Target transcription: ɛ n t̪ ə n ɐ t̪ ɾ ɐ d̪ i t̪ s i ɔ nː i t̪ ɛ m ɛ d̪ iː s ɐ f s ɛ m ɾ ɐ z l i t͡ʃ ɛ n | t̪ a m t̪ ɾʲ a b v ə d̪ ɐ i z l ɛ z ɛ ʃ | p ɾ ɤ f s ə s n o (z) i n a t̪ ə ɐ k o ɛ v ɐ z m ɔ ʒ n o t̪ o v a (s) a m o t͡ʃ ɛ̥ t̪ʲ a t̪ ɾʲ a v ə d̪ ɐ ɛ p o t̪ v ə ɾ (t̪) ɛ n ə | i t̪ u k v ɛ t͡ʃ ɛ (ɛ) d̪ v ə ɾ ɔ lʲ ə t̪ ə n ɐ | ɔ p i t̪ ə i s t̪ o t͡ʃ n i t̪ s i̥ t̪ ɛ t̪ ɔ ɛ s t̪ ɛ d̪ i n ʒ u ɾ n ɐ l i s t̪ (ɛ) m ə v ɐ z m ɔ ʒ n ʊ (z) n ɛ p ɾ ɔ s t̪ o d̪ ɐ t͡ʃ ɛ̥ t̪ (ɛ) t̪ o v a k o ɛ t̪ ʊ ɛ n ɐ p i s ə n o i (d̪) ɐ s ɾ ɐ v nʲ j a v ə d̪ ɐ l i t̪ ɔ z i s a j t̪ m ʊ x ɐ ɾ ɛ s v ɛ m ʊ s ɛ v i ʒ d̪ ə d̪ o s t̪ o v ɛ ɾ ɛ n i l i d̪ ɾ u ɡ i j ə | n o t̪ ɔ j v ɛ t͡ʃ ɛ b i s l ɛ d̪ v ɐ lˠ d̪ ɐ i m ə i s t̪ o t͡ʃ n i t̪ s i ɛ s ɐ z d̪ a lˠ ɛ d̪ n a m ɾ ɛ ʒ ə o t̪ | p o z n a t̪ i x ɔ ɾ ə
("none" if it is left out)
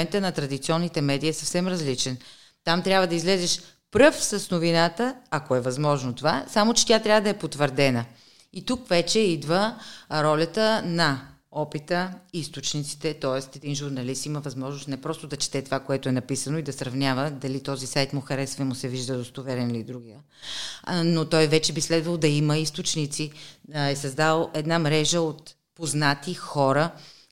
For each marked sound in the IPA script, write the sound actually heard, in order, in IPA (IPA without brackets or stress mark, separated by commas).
v, s, d̪, i, i, s, ɛ, d̪